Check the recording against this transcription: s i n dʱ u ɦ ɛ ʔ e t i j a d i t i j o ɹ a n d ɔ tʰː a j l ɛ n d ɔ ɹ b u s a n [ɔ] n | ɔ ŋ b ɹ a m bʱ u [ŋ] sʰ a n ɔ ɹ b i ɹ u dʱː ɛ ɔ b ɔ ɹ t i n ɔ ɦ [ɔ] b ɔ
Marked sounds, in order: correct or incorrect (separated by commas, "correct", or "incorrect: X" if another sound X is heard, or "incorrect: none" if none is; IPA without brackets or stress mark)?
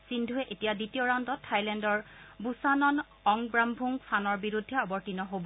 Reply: correct, correct, incorrect: o